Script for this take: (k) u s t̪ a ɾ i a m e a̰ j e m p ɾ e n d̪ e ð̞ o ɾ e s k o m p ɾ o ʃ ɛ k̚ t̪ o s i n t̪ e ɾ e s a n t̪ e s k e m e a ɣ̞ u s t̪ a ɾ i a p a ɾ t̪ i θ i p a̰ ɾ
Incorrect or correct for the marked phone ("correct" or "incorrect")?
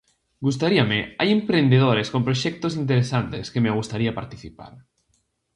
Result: incorrect